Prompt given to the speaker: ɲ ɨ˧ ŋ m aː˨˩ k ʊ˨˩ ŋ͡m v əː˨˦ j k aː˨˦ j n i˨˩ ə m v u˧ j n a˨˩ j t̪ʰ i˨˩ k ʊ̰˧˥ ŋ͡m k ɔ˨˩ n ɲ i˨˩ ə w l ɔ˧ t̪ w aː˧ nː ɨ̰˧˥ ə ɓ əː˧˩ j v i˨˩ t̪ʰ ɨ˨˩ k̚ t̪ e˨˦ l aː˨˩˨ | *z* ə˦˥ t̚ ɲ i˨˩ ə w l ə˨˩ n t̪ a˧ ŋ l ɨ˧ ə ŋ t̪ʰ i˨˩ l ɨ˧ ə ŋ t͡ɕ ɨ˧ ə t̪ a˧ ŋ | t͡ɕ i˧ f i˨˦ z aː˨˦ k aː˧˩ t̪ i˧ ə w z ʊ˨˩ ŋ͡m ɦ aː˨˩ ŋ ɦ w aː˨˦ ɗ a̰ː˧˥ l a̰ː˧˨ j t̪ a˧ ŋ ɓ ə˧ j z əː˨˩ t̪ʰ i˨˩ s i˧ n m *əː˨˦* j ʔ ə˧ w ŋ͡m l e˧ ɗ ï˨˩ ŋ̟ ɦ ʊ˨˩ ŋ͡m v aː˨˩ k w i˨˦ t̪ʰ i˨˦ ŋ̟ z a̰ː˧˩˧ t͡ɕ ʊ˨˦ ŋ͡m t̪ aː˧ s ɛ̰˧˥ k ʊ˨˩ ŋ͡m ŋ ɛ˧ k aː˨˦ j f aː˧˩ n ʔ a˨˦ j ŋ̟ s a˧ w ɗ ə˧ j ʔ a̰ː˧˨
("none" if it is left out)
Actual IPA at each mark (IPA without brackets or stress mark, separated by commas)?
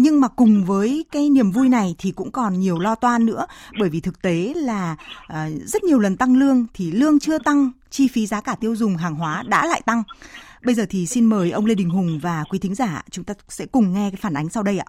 z, əː˨˩